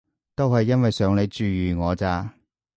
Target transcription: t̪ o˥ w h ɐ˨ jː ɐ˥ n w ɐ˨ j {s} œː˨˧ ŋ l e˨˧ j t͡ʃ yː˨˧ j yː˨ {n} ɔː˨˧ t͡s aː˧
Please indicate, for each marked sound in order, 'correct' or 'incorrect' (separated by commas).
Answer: correct, incorrect